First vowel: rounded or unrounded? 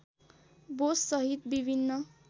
rounded